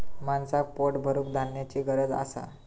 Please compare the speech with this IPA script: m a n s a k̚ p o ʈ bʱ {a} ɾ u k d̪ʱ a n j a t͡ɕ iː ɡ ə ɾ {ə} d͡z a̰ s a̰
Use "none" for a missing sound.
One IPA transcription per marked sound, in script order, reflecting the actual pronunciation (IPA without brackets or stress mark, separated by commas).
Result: ə, ə